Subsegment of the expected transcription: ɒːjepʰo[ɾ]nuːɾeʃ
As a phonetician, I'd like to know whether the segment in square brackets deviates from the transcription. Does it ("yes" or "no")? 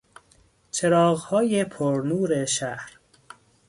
no